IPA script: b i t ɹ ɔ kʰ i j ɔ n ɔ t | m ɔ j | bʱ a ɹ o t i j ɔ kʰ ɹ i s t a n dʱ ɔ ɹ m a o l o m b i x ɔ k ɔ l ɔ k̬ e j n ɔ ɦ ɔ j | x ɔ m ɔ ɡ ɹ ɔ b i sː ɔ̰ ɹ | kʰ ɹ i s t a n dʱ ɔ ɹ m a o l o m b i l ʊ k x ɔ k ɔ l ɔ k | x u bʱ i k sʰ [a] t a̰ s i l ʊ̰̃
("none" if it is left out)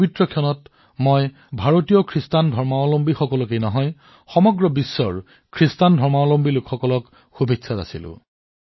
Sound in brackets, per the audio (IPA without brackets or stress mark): a